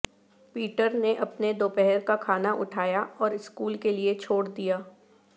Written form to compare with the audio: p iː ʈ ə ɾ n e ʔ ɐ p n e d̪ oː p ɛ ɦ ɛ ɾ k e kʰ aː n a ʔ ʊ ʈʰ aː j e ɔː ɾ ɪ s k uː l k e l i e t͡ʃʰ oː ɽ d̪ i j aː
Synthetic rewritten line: p iː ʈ ə ɾ n e ʔ ɐ p n e d̪ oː p ɛ ɦ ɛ ɾ k a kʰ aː n a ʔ ʊ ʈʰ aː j a ɔː ɾ ɪ s k uː l k e l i e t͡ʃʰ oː ɽ d̪ i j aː